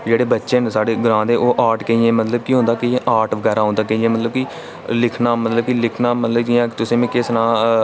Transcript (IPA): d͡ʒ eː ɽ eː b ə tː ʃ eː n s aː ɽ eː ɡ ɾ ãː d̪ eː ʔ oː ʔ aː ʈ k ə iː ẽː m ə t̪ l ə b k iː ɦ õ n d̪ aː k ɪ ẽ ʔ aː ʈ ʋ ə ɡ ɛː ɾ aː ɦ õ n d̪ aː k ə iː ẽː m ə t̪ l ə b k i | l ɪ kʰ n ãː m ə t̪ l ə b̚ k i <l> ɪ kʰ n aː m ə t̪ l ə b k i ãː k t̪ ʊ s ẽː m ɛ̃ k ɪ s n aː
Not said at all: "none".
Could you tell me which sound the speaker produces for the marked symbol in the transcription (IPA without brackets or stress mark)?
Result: l